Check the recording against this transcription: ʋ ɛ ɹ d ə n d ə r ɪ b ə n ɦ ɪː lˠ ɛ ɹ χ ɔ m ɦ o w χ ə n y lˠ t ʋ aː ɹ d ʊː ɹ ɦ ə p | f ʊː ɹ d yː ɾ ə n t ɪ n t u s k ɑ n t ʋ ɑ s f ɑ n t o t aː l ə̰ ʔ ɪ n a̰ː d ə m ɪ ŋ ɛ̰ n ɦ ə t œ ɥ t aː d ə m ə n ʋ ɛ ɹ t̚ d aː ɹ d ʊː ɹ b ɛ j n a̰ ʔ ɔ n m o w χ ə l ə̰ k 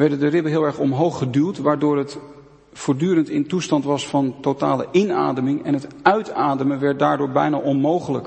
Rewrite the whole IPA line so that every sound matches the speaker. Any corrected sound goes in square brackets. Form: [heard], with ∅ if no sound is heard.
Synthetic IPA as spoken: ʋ ɛ ɹ d ə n d ə r ɪ b ə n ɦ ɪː lˠ ɛ ɹ χ ɔ m ɦ o w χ ə [d] y lˠ t ʋ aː ɹ d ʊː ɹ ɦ ə [t] | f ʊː ɹ d yː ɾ ə n t ɪ n t u s [t] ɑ n t ʋ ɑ s f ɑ n t o t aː l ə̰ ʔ ɪ n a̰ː d ə m ɪ ŋ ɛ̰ n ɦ ə t œ ɥ t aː d ə m ə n ʋ ɛ ɹ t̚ d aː ɹ d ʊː ɹ b ɛ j n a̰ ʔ ɔ n m o w χ ə l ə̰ k